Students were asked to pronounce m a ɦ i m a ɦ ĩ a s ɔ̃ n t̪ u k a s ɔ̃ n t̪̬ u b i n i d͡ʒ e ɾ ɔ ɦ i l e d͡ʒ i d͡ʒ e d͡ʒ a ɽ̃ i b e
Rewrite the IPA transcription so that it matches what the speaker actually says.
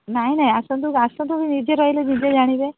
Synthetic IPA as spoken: n a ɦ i n a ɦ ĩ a s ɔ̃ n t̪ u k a s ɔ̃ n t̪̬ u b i n i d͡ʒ e ɾ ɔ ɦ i l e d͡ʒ i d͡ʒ e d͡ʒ a ɽ̃ i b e

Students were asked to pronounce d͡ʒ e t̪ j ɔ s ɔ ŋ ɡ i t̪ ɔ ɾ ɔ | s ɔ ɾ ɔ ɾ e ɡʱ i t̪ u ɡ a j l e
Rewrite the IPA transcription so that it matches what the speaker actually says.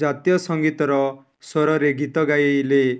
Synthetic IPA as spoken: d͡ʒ a t̪ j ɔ s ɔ ŋ ɡ i t̪ ɔ ɾ ɔ | s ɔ ɾ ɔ ɾ e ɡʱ i t̪ ɔ ɡ a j l e

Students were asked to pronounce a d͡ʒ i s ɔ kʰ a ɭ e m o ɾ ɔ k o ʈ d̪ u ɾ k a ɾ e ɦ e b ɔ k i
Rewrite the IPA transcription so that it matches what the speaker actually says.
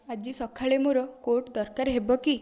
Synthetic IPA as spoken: a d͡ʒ i s ɔ kʰ a ɭ e m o ɾ ɔ k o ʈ d̪ ɔ ɾ k a ɾ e ɦ e b ɔ k i

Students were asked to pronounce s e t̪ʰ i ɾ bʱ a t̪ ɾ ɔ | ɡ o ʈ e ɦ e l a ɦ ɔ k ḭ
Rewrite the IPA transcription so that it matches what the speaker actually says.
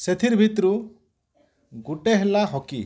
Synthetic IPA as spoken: s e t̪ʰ i ɾ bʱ i t̪ ɾ u | ɡ u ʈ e ɦ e l a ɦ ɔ k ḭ

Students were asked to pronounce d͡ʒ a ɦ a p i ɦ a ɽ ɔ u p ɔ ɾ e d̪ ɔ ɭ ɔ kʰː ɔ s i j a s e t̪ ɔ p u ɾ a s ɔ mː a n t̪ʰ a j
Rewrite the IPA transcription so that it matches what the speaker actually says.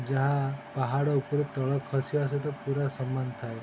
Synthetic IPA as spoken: d͡ʒ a ɦ a p a ɦ a ɽ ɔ u p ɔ ɾ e t̪ ɔ ɭ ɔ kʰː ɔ s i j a s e t̪ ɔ p u ɾ a s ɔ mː a n t̪ʰ a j

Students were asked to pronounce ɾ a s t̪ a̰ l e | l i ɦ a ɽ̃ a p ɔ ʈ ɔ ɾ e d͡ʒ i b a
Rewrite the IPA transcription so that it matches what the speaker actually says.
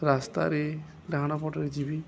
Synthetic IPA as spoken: ɾ a s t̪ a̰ ɾ e | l a ɦ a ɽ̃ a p ɔ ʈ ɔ ɾ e d͡ʒ i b i

